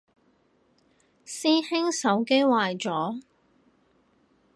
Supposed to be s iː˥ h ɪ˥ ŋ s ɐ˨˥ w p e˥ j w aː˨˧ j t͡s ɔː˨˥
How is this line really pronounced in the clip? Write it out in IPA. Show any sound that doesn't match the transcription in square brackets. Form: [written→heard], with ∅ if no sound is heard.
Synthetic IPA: s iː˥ h ɪ˥ ŋ s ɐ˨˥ w [p→k] e˥ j w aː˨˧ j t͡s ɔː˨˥